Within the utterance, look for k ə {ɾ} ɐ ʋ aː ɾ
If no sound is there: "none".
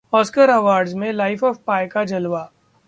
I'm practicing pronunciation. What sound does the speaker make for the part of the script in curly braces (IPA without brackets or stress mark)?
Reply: ɾ